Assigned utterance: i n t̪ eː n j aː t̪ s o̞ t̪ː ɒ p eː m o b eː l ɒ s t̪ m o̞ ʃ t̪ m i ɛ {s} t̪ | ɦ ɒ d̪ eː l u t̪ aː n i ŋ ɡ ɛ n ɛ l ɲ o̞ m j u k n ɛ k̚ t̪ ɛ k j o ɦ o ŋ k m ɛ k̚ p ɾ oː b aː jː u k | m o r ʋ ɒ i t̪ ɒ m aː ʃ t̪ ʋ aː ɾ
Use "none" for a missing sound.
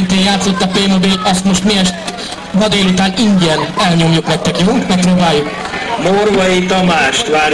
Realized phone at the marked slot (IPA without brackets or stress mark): ʃ